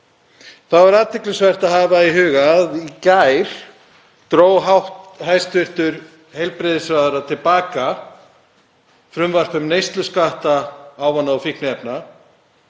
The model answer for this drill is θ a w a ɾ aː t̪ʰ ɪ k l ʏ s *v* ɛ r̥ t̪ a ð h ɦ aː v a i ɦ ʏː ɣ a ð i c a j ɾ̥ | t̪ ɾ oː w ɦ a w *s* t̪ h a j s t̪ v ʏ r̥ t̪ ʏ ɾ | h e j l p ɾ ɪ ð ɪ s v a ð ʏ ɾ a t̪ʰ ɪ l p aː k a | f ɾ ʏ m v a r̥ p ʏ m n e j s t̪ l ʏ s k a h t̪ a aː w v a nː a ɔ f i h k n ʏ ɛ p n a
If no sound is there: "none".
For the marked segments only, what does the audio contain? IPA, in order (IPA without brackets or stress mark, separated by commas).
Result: v, h